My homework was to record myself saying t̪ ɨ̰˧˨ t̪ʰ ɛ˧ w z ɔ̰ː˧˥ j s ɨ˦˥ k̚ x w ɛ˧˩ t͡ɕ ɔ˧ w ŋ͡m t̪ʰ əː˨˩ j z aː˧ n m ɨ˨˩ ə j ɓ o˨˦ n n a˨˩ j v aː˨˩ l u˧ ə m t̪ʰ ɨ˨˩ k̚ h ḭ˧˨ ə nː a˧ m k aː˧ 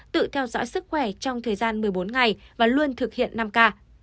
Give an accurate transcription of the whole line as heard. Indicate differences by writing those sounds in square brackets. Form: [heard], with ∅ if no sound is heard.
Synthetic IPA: t̪ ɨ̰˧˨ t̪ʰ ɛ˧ w z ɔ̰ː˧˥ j s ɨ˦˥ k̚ x w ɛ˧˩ t͡ɕ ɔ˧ w ŋ͡m t̪ʰ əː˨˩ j z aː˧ n m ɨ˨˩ ə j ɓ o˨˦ n [ŋ] a˨˩ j v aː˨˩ l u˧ ə [n] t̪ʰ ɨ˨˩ k̚ h ḭ˧˨ ə nː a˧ m k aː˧